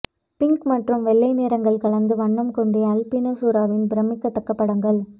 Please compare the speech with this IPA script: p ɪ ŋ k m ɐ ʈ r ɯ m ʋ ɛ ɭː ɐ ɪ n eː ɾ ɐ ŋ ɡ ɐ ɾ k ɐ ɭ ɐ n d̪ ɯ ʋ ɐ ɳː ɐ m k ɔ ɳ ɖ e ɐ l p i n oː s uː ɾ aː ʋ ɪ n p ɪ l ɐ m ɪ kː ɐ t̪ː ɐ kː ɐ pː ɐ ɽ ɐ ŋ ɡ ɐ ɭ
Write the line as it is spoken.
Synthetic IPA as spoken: p ɪ ŋ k m ɐ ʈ r ɯ m ʋ ɛ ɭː ɐ ɪ n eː ɾ ɐ ŋ ɡ ɐ ɭ k ɐ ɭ ɐ n d̪ ɯ ʋ ɐ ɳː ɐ m k ɔ ɳ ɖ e ɐ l p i n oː s uː ɾ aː ʋ ɪ n b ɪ ɾ ɐ m ɪ kː ɐ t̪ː ɐ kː ɐ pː ɐ ɽ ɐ ŋ ɡ ɐ ɭ